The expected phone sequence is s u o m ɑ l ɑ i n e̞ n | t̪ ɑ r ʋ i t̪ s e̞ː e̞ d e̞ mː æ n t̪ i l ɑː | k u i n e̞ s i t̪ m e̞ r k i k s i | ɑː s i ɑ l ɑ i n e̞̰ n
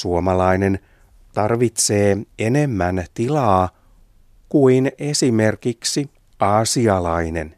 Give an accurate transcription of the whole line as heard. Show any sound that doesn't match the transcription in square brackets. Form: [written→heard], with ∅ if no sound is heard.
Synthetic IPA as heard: s u o m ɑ l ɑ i n e̞ n | t̪ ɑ r ʋ i t̪ s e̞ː e̞ [d→n] e̞ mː æ n t̪ i l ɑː | k u i n e̞ s i [t̪→∅] m e̞ r k i k s i | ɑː s i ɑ l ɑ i n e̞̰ n